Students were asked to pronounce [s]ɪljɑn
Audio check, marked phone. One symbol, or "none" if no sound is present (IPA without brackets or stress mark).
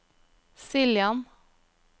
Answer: s